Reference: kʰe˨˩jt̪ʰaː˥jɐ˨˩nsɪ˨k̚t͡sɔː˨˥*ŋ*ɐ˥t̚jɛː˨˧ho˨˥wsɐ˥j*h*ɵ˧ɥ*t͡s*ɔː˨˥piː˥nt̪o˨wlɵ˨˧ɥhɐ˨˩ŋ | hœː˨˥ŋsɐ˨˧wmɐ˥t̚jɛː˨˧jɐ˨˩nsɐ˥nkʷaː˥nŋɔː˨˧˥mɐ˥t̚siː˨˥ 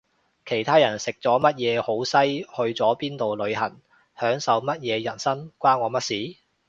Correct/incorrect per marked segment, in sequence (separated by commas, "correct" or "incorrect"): incorrect, correct, correct